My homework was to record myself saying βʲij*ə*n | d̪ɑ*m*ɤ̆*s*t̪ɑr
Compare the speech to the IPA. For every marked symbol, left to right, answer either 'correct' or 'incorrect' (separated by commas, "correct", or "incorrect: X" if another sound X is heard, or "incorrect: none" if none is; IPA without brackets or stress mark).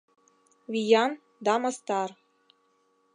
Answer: incorrect: ɑ, correct, correct